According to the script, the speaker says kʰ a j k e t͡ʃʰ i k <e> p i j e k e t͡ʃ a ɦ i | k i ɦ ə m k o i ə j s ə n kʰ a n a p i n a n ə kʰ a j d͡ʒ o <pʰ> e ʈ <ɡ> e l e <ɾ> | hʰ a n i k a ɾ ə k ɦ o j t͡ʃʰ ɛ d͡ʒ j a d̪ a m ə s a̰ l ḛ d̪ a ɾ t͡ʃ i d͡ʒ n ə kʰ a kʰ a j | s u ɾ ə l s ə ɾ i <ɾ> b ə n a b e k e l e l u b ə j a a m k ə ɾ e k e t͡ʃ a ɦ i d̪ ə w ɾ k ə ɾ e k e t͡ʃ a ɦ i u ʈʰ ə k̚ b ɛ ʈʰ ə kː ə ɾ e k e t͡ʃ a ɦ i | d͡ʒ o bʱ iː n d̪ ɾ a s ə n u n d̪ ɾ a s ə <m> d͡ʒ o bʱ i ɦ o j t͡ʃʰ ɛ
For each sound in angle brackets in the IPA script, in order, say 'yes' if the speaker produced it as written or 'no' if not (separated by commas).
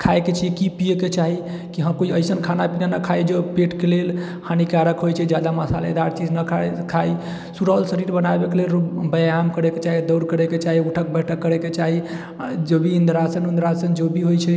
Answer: no, no, no, no, yes, no